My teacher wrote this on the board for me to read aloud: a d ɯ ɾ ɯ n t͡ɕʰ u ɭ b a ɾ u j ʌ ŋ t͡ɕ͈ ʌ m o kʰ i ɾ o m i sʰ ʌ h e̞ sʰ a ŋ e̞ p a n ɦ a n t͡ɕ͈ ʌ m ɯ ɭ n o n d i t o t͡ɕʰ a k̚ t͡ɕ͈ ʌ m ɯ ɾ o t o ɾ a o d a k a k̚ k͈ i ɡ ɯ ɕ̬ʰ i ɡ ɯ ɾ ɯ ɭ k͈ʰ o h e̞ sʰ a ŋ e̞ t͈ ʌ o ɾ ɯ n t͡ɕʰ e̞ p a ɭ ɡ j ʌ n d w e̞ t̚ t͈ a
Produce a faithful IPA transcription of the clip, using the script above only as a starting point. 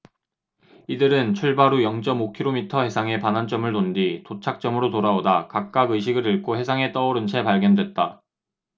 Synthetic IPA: i d ɯ ɾ ɯ n t͡ɕʰ u ɭ b a ɾ u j ʌ ŋ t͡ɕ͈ ʌ m o kʰ i ɾ o m i tʰ ʌ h e̞ sʰ a ŋ e̞ p a n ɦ a n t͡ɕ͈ ʌ m ɯ ɭ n o n d i t o t͡ɕʰ a k̚ t͡ɕ͈ ʌ m ɯ ɾ o t o ɾ a o d a k a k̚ k͈ a ɡ ɯ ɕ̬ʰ i ɡ ɯ ɾ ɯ ɭ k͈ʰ o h e̞ sʰ a ŋ e̞ t͈ ʌ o ɾ ɯ n t͡ɕʰ e̞ p a ɭ ɡ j ʌ n d w e̞ t̚ t͈ a

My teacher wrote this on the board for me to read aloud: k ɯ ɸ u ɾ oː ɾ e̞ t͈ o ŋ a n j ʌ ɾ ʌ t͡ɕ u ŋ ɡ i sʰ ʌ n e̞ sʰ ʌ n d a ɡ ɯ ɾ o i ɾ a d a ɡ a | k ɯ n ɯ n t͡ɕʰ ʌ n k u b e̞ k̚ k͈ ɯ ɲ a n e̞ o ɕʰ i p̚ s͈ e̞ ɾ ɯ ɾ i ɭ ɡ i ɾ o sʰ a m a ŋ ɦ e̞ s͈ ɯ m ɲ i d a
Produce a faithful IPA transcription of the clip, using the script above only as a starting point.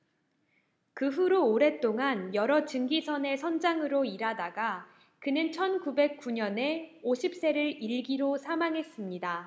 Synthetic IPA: k ɯ ɸ u ɾ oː ɾ e̞ t͈ o ŋ a n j ʌ ɾ ʌ t͡ɕ ɯ ŋ ɡ i sʰ ʌ n e̞ sʰ ʌ n d͡ʑ a ŋ ɯ ɾ o i ɾ a d a ɡ a | k ɯ n ɯ n t͡ɕʰ ʌ n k u b e̞ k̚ k͈ u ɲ ʌ n e̞ o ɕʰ i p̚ s͈ e̞ ɾ ɯ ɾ i ɭ ɡ i ɾ o sʰ a m a ŋ ɦ e̞ s͈ ɯ m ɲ i d a

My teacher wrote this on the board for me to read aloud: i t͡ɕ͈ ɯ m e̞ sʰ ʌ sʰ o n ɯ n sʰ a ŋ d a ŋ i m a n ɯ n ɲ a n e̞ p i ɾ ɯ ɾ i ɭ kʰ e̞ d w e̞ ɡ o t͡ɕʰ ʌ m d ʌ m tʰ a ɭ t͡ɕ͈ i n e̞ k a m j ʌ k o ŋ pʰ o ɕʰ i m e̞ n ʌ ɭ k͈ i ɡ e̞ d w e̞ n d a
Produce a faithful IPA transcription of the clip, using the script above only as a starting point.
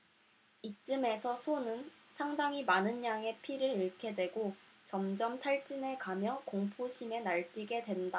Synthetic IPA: i t͡ɕ͈ ɯ m e̞ sʰ ʌ sʰ o n ɯ n sʰ a ŋ d a ŋ i m a n ɯ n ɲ a ŋ e̞ pʰ i ɾ ɯ ɾ i ɭ kʰ e̞ d w e̞ ɡ o t͡ɕ ʌ m d͡ʑ ʌ m tʰ a ɭ t͡ɕ͈ i n e̞ k a m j ʌ k o ŋ pʰ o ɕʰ i m e̞ n a ɭ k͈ i ɡ e̞ d w e̞ n d a

